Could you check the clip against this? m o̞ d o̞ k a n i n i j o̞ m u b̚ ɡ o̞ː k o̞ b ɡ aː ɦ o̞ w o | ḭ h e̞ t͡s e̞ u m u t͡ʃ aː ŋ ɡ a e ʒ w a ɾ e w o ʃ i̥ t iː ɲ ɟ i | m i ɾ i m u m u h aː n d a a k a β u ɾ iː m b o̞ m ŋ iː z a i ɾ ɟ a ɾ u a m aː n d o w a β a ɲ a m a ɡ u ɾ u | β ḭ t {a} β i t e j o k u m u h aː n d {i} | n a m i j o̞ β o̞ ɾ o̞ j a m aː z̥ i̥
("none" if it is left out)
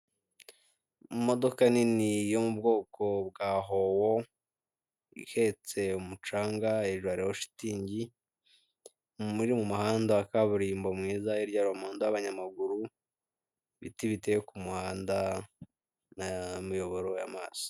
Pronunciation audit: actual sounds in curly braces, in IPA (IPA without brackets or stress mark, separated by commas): i, a